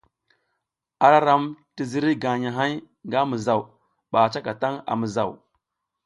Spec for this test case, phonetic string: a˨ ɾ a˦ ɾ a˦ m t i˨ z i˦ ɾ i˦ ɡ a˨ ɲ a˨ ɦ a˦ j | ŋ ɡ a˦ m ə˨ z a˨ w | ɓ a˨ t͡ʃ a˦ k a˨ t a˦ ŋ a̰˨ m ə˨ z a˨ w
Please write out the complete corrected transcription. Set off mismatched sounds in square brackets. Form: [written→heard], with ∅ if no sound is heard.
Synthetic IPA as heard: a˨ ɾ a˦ ɾ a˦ m t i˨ z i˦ ɾ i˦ ɡ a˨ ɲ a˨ ɦ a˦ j | ŋ ɡ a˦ m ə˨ z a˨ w | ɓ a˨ t͡ʃ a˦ k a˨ t a˦ ŋ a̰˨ m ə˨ z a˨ w